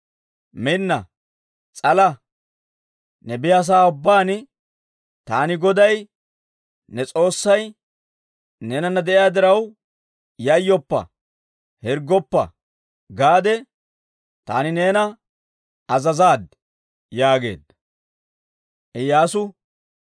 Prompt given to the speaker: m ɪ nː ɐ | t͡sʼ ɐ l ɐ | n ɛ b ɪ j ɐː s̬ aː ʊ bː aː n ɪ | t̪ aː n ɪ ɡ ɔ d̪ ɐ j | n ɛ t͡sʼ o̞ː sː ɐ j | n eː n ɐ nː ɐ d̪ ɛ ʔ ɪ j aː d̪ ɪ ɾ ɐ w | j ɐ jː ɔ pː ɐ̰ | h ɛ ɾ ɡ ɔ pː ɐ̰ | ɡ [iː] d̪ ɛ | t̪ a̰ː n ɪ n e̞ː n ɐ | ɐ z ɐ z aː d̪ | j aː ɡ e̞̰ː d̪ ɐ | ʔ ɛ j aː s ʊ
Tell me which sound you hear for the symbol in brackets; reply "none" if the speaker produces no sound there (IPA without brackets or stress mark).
aː